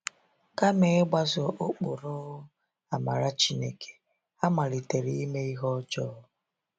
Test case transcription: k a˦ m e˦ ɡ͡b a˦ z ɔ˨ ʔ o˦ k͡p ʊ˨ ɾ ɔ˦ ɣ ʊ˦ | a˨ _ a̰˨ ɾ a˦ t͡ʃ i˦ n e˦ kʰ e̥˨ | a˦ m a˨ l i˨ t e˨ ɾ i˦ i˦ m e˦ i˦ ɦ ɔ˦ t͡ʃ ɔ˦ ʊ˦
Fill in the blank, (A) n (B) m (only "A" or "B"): B